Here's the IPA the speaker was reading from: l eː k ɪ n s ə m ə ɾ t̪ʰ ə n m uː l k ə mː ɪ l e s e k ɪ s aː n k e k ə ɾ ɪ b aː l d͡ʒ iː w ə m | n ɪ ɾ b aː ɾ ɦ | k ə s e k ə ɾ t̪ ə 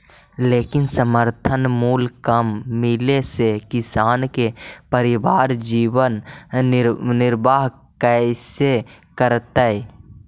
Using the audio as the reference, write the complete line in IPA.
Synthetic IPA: l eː k ɪ n s ə m ə ɾ t̪ʰ ə n m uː l k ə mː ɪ l e s e k ɪ s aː n k e p ə ɾ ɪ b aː ɾ d͡ʒ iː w ə n | n ɪ ɾ b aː ɦ | k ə s e k ə ɾ t̪ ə